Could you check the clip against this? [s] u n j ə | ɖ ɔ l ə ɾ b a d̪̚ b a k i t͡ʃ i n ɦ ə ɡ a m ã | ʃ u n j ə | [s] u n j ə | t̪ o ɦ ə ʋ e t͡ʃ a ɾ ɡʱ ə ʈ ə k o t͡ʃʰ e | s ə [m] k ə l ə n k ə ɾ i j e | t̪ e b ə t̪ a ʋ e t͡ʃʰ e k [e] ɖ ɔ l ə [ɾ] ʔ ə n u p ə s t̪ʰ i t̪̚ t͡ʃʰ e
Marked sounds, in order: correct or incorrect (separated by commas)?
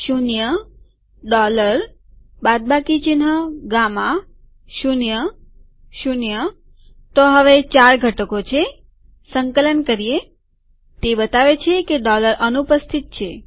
incorrect, incorrect, incorrect, correct, correct